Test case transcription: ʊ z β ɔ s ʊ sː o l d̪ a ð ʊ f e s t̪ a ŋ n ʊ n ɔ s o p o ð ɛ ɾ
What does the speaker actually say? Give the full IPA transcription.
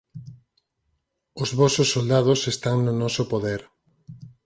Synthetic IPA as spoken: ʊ z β ɔ s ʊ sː o l d̪ a ð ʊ s e s t̪ a ŋ n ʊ n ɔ s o p o ð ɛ ɾ